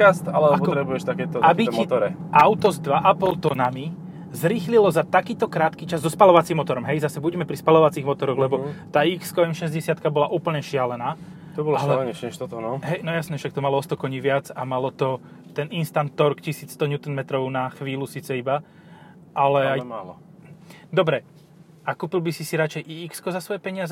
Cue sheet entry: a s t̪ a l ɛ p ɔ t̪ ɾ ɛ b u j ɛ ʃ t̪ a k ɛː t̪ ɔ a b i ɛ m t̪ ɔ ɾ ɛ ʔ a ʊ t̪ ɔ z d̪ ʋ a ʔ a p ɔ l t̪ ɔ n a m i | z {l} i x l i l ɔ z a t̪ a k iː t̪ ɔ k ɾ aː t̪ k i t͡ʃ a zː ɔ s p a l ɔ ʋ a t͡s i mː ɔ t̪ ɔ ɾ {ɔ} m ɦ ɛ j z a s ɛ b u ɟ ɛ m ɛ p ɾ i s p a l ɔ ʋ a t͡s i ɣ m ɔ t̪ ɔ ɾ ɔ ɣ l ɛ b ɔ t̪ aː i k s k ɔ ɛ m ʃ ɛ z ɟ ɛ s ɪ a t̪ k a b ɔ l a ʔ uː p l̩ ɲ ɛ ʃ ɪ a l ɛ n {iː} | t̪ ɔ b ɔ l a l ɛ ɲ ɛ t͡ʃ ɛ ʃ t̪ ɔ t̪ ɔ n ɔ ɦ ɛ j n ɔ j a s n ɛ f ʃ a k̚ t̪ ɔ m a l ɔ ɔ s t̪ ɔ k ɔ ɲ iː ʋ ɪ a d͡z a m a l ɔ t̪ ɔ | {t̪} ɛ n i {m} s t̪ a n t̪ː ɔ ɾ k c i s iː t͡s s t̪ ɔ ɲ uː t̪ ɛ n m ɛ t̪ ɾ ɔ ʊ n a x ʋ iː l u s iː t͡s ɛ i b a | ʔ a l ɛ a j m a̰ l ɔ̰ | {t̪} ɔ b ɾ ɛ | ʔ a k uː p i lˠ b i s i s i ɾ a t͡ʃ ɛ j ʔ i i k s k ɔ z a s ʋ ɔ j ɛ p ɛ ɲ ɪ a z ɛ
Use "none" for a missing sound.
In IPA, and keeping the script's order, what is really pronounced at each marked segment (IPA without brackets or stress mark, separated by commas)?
ɾ, ɔ, aː, t̪, n, d̪